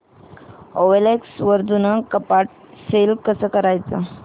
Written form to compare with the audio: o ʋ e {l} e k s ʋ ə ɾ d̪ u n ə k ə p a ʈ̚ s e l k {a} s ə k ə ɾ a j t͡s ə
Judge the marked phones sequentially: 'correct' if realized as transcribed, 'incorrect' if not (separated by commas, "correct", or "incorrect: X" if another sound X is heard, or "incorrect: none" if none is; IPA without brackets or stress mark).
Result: correct, incorrect: ə